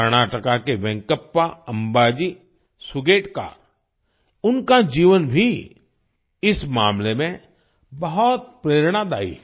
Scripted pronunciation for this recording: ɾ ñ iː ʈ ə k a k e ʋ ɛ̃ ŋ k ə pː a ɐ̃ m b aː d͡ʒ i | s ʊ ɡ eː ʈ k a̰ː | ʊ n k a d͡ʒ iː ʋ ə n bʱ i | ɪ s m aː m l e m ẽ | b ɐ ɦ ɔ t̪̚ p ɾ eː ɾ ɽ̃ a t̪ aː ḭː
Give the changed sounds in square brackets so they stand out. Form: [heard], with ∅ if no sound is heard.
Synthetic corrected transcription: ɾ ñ [aː] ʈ ə k a k e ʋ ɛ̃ ŋ k ə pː a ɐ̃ m b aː d͡ʒ i | s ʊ ɡ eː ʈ k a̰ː | ʊ n k a d͡ʒ iː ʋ ə n bʱ i | ɪ s m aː m l e m ẽ | b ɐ ɦ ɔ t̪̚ p ɾ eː ɾ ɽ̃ a [d̪] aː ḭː